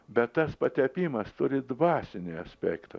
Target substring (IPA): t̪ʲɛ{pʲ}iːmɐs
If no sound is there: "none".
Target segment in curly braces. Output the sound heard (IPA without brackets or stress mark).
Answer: pʲ